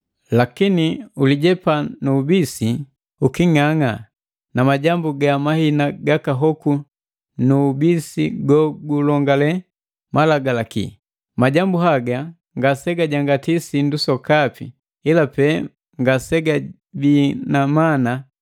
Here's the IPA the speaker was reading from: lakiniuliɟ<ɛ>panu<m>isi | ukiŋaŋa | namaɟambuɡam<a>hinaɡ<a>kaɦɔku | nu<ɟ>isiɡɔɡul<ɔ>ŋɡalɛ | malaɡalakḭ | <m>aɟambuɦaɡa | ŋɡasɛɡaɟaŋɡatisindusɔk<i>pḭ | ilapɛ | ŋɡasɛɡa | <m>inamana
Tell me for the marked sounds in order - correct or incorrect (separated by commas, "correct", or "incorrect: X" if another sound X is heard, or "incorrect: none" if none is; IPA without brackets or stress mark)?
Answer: correct, incorrect: b, correct, correct, incorrect: b, correct, correct, incorrect: a, incorrect: b